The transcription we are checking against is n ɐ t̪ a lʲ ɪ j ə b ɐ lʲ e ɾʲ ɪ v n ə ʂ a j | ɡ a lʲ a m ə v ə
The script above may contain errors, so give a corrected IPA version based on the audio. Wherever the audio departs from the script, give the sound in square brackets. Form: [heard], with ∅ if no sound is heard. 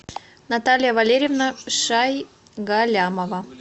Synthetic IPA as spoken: n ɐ t̪ a lʲ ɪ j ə [v] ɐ lʲ e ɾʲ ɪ v n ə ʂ a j | ɡ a lʲ a m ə v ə